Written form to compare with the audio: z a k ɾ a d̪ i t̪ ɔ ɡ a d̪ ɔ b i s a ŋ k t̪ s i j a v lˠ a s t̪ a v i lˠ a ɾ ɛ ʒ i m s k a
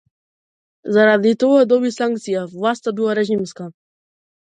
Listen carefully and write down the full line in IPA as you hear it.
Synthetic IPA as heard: z a ɾ a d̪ i t̪ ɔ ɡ a d̪ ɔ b i s a ŋ k t̪ s i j a v lˠ a s t̪ a b i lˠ a ɾ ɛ ʒ i m s k a